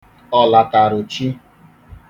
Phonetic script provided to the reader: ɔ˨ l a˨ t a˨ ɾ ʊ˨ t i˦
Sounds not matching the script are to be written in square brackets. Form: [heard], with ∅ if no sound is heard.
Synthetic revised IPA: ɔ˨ l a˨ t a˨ ɾ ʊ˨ [t͡ʃ] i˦